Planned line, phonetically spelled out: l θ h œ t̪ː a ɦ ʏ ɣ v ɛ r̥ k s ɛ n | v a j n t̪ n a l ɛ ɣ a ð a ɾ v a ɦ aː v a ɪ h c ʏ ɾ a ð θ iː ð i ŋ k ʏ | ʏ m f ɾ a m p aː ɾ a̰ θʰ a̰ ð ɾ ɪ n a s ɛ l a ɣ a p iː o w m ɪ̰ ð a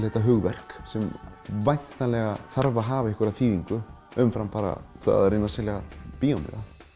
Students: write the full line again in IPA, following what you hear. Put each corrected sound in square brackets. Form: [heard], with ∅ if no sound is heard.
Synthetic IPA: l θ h [ɛ] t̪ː a ɦ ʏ ɣ v ɛ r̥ k s ɛ [m] | v a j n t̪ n a l ɛ ɣ a [θ] a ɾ v a ɦ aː v a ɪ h [k] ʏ ɾ a ð θ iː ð i ŋ k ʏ | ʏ m f ɾ a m p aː ɾ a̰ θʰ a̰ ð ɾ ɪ n a s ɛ l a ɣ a p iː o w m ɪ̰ ð a